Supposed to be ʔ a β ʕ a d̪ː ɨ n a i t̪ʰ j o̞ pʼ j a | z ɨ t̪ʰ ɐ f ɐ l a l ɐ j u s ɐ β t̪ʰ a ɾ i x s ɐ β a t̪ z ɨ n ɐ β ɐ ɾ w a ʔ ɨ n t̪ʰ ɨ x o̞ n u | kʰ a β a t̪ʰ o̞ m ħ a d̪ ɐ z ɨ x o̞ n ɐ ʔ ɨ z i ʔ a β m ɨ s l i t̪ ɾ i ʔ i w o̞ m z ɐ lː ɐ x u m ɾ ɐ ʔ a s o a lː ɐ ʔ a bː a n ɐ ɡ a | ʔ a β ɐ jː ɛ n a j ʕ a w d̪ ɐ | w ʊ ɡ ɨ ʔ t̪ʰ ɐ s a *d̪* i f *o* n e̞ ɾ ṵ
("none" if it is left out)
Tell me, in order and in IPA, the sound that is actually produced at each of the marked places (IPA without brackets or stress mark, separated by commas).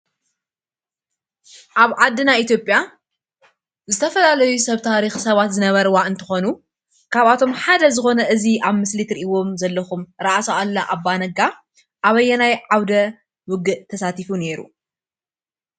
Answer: t̪, u